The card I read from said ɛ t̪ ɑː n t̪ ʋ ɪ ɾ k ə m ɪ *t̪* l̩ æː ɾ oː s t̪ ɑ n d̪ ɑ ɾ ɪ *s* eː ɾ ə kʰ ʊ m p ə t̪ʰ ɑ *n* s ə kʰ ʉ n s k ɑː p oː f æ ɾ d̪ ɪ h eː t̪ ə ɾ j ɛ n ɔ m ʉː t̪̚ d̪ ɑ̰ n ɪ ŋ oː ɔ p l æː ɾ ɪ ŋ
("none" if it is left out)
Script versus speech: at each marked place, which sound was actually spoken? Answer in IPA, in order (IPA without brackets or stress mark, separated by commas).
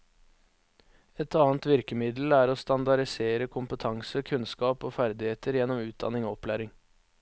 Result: d̪, s, ŋ